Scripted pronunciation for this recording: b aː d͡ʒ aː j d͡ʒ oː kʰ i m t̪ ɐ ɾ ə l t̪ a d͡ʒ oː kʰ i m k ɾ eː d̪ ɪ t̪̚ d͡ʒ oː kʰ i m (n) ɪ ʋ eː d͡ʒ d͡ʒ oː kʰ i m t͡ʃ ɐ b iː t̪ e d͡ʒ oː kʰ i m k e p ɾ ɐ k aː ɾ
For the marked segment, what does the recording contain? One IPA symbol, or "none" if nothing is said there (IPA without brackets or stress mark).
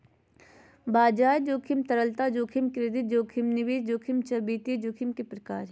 n